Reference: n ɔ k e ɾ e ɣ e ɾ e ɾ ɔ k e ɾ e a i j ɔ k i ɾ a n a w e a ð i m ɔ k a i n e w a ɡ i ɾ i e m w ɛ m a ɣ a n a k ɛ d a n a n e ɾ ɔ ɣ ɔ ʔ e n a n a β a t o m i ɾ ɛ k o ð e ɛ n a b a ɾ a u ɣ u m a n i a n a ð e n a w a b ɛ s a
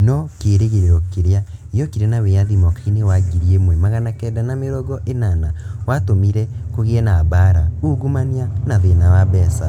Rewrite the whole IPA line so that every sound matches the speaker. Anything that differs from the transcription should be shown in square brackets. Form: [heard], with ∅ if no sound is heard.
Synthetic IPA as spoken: n ɔ k e ɾ e ɣ e ɾ e ɾ ɔ k e ɾ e a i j ɔ k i ɾ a n a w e a ð i m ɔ k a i n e w a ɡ i ɾ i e m w ɛ m a ɣ a n a k ɛ d a n a [m] e ɾ ɔ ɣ ɔ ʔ e n a n a [w] a t o m i ɾ ɛ k o [ɣ] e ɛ n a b a ɾ a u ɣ u m a n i a n a ð e n a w a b ɛ s a